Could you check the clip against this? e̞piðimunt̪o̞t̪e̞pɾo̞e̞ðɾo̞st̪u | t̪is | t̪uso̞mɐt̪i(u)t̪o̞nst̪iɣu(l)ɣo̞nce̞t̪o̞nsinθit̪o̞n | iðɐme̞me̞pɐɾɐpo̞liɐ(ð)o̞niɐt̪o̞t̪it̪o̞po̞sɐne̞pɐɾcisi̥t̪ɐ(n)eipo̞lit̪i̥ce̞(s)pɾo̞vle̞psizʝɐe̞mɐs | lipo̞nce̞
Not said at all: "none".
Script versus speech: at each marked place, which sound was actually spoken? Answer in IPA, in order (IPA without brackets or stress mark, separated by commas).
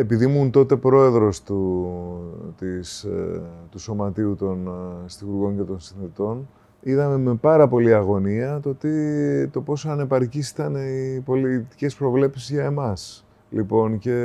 u, ɾ, ɣ, n, s